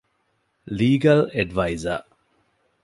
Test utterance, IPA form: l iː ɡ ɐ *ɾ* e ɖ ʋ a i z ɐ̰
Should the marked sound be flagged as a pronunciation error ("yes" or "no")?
yes